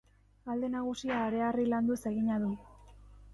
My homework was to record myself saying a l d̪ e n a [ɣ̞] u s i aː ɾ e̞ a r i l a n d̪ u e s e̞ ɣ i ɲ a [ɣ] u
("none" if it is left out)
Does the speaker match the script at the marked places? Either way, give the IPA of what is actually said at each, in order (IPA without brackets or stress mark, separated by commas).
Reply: ɣ̞, ð